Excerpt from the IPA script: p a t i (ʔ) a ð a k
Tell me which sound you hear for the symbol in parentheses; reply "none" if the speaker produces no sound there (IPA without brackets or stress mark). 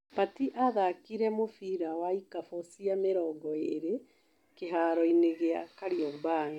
ʔ